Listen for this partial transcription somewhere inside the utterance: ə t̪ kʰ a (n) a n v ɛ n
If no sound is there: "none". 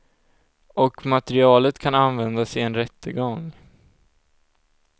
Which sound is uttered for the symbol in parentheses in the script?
n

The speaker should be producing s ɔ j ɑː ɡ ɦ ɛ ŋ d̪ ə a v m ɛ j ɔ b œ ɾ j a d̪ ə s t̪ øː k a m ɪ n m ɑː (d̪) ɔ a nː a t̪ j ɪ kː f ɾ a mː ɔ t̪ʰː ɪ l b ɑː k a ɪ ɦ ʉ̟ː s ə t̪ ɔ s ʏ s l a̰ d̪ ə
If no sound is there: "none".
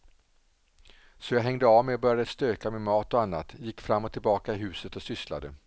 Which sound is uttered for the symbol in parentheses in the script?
t̪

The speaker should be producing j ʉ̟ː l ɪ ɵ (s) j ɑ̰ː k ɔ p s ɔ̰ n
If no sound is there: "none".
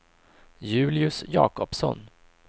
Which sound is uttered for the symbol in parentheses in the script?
s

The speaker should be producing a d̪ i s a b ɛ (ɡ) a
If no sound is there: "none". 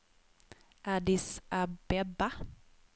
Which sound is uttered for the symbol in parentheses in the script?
b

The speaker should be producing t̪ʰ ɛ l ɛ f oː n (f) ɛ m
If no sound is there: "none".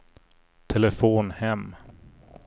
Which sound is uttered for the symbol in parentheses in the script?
h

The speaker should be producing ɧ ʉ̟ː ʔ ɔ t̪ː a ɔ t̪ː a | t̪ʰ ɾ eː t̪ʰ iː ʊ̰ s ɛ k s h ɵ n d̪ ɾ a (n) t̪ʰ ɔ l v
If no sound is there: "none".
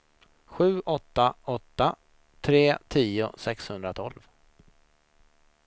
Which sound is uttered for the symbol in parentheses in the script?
none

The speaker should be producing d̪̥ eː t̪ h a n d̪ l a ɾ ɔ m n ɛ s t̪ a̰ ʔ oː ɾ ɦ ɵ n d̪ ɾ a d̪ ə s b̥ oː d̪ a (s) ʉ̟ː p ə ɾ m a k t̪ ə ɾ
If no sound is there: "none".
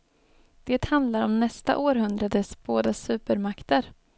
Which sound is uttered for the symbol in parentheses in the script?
s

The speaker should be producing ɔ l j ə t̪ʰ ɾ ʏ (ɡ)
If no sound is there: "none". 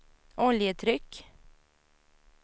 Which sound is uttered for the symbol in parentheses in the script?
k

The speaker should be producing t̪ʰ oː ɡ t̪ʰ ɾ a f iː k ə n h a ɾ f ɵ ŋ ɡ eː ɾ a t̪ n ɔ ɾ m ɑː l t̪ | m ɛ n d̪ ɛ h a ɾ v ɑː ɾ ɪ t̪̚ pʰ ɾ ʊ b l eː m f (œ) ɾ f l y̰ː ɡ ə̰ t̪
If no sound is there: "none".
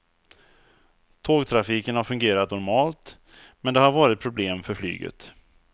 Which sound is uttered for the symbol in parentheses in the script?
œ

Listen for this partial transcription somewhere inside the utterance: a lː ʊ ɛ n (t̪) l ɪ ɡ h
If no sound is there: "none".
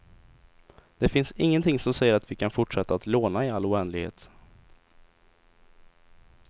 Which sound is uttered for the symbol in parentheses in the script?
d̪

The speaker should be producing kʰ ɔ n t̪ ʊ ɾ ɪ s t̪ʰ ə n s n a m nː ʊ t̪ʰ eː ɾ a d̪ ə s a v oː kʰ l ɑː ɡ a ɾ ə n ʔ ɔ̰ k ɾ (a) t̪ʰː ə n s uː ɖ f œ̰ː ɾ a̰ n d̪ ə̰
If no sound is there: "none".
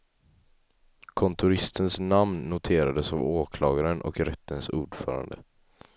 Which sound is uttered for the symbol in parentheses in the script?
ɛ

